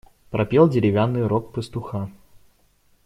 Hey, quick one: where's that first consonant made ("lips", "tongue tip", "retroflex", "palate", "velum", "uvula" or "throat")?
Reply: lips